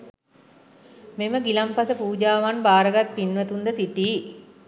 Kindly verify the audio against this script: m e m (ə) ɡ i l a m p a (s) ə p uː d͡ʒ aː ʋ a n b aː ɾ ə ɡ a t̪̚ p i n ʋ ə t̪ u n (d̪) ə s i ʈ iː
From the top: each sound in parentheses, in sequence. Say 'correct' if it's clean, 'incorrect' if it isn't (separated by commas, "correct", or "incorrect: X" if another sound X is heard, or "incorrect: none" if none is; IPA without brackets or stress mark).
correct, correct, correct